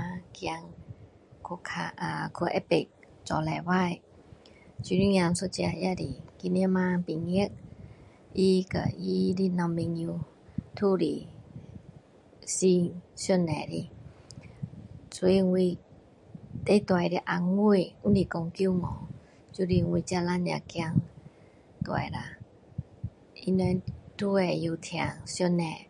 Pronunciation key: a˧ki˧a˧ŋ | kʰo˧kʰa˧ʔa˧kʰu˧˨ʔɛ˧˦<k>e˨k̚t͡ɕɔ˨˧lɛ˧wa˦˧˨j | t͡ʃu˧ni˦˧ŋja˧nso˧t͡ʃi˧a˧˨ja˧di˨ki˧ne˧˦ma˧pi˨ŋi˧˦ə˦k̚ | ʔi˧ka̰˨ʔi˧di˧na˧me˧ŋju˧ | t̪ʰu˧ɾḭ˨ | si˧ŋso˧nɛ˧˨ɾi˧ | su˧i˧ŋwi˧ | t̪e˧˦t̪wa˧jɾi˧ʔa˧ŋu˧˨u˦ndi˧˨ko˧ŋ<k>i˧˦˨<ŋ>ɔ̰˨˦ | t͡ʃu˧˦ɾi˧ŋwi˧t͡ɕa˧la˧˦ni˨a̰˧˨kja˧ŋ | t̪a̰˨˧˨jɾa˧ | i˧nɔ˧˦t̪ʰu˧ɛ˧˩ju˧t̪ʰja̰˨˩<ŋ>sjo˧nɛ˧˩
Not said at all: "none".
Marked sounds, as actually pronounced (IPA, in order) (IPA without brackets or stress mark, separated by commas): p, k, ŋ, ŋ